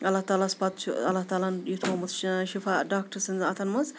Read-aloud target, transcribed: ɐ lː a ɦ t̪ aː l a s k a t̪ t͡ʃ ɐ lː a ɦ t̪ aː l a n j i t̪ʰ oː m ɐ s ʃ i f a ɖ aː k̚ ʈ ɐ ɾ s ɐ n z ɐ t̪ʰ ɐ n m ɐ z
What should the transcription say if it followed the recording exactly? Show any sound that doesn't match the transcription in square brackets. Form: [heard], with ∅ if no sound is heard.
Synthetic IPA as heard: ɐ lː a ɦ t̪ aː l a s [p] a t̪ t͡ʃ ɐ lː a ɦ t̪ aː l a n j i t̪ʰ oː m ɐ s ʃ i f a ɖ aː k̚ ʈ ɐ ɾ s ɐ n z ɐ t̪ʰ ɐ n m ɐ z

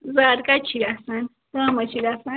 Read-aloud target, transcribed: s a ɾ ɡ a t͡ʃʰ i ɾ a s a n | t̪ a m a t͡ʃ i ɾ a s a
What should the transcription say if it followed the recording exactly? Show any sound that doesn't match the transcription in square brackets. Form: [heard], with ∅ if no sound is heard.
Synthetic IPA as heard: [z] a ɾ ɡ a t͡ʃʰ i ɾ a s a n | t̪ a m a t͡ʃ i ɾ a s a

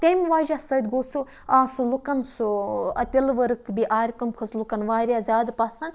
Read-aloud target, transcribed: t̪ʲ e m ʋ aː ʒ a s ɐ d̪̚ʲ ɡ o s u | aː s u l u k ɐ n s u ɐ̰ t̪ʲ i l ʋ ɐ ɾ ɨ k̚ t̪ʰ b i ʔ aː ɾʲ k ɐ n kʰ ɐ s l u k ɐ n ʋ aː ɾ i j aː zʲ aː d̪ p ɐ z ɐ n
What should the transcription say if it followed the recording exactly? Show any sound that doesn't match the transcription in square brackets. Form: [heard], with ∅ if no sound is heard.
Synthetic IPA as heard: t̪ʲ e m ʋ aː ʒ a s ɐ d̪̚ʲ ɡ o s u | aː s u l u k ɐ n s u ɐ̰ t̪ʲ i l ʋ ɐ ɾ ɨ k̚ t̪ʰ b i ʔ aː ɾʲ k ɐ [m] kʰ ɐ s l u k ɐ n ʋ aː ɾ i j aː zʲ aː d̪ p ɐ [s] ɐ n

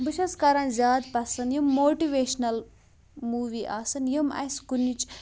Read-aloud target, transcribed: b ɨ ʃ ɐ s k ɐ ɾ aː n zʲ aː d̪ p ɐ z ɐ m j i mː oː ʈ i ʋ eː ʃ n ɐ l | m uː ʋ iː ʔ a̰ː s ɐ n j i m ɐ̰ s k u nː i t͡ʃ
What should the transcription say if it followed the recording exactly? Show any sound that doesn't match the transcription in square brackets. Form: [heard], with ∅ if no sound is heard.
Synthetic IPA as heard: b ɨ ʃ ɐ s k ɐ ɾ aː n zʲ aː d̪ p ɐ [s] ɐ [n] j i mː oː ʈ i ʋ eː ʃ n ɐ l | m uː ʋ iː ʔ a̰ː s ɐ n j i m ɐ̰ s k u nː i t͡ʃ

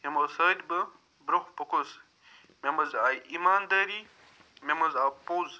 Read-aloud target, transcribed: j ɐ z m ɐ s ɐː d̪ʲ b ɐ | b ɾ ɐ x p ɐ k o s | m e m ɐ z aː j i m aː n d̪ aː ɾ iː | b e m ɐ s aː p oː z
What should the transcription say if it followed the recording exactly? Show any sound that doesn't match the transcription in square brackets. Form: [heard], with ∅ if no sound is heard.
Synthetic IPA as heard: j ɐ [∅] m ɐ s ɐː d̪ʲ b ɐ | b ɾ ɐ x p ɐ k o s | m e m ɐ z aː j i m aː n d̪ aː ɾ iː | [m] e m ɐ [z] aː p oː z

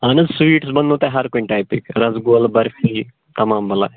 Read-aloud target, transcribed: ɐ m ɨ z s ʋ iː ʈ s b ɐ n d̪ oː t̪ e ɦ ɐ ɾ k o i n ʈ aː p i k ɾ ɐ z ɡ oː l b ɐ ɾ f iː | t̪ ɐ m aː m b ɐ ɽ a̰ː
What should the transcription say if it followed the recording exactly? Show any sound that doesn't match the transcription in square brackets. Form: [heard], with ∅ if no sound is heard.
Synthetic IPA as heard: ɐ [n] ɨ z s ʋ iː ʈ s b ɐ n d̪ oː t̪ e ɦ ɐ ɾ k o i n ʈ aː p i k ɾ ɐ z ɡ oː l b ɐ ɾ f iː | t̪ ɐ m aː m b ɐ [l] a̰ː

